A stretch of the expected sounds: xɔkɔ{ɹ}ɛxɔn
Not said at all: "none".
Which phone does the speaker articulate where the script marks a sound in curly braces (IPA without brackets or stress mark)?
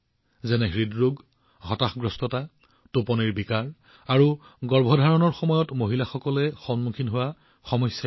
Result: l